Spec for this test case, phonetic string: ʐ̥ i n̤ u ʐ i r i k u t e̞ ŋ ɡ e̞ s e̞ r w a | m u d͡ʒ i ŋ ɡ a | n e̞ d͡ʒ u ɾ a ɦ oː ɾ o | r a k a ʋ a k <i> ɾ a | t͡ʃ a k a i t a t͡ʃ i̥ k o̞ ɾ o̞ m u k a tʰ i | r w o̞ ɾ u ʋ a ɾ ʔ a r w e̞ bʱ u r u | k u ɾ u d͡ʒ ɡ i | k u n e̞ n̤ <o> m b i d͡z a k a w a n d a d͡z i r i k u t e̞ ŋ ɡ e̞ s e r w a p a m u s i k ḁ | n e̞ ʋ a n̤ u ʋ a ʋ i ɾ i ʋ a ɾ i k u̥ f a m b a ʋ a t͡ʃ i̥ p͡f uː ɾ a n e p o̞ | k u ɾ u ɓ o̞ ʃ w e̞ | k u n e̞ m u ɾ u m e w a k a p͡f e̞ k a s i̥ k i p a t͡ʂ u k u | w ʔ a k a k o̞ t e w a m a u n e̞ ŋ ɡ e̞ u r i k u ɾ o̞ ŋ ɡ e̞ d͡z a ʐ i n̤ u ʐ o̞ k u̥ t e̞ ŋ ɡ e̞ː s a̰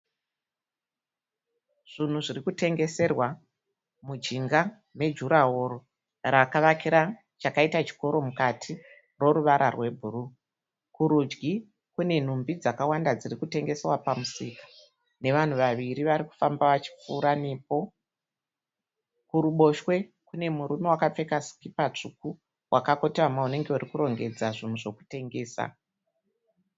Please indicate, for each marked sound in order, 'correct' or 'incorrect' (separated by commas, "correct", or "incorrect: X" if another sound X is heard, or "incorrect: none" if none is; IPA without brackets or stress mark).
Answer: correct, incorrect: u